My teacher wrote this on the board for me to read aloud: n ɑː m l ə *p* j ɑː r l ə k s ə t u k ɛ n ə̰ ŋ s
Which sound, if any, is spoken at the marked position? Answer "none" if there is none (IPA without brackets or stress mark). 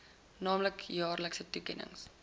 k